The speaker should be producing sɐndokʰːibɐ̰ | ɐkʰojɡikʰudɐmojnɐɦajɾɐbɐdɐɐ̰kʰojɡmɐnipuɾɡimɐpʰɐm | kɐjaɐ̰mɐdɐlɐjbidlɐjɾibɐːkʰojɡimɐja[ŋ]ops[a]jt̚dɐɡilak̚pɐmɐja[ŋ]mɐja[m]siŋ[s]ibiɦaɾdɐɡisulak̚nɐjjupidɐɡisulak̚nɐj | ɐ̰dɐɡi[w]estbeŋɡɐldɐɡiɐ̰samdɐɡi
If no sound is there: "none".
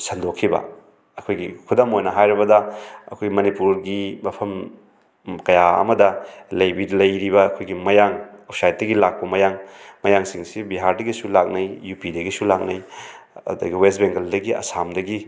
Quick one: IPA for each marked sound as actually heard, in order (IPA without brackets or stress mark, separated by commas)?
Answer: ŋ, a, ŋ, ŋ, s, w